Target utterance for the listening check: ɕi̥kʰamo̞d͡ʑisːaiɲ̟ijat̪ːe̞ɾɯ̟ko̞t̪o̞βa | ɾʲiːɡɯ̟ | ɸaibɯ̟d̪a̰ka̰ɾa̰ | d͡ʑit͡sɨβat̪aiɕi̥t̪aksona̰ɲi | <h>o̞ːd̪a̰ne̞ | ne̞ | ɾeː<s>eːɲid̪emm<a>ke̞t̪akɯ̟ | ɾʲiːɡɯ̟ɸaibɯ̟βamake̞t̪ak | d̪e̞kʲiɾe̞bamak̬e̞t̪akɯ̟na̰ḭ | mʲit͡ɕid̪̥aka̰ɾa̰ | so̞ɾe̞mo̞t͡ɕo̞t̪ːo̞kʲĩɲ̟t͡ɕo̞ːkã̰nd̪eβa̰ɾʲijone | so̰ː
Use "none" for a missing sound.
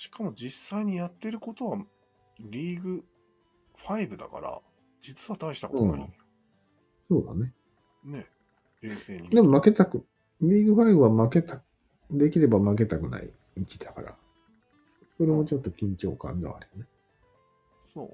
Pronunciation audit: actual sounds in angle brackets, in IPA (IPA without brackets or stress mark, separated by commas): s, s, a